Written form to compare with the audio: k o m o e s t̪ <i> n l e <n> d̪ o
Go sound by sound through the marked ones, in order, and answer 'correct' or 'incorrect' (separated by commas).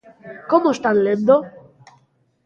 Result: incorrect, correct